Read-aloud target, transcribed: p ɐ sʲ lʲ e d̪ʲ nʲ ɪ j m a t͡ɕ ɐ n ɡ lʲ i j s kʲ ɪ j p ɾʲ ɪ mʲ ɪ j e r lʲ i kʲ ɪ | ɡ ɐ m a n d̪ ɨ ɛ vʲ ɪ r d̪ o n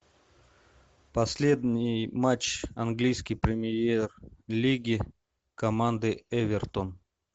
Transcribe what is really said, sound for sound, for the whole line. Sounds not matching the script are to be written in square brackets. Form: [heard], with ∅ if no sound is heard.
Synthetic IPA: p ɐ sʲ lʲ e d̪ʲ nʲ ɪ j m a t͡ɕ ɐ n ɡ lʲ i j s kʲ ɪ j p ɾʲ ɪ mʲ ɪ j e r lʲ i [ɡʲ] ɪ | [k] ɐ m a n d̪ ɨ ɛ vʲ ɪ r [t̪] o n